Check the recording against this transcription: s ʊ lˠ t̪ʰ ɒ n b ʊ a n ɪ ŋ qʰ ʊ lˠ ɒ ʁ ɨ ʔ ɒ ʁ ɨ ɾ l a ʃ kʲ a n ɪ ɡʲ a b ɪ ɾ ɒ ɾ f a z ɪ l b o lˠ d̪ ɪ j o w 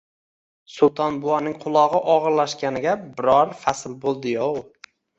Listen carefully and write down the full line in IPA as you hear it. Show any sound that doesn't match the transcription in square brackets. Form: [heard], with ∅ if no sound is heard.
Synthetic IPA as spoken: s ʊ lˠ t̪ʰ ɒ n b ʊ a n ɪ ŋ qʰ ʊ lˠ ɒ ʁ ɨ ʔ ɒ ʁ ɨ ɾ l a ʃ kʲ a n ɪ ɡʲ a b ɪ ɾ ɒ ɾ f a [s] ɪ l b o lˠ d̪ ɪ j o w